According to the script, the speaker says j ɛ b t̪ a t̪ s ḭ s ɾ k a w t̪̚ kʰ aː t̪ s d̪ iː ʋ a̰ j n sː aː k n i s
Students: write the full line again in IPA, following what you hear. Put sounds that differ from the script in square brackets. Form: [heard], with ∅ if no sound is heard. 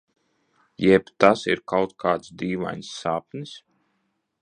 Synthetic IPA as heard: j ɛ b t̪ a [∅] s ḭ [∅] ɾ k a w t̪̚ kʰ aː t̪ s d̪ iː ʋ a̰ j n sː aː [p] n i s